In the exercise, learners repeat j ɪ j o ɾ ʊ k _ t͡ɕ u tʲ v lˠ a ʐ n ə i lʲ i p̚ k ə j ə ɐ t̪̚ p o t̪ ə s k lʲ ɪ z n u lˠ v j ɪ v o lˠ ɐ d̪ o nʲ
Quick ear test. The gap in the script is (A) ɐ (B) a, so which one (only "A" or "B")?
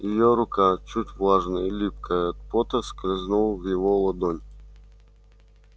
B